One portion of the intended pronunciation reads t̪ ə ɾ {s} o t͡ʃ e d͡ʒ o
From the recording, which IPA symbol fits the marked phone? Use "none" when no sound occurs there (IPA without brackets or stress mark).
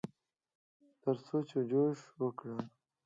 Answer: s